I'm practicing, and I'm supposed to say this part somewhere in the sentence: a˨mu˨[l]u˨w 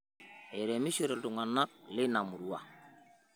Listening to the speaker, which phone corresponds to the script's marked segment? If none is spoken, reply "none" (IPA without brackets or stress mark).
ɾ